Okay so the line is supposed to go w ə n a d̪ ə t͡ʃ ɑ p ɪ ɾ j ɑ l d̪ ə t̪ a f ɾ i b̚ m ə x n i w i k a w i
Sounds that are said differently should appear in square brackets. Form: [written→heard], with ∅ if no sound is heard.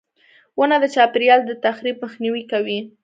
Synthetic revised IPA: w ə n a d̪ ə t͡ʃ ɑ p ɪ ɾ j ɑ l d̪ ə t̪ a [f→x] ɾ i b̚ m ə x n i w i k a w i